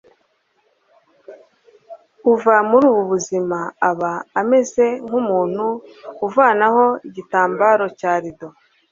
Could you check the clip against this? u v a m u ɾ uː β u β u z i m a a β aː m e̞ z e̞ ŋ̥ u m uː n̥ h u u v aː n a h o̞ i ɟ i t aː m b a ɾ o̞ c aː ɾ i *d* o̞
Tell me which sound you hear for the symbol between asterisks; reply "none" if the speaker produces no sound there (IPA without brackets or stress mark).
d